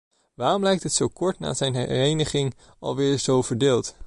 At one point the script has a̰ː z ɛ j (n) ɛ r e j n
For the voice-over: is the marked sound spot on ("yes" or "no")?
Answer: yes